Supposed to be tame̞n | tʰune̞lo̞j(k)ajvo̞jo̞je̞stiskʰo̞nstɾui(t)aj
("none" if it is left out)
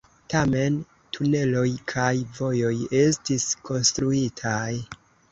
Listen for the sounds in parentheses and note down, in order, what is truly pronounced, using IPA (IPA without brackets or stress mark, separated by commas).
kʰ, tʰ